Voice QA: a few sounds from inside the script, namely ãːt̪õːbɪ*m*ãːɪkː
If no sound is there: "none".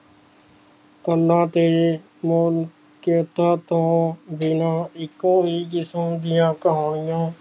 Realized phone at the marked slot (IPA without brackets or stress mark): n